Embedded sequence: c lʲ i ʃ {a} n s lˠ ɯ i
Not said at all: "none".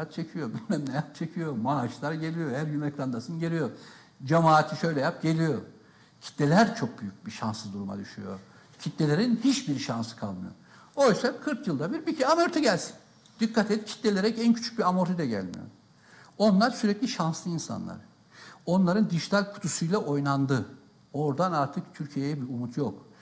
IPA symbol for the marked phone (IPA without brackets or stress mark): a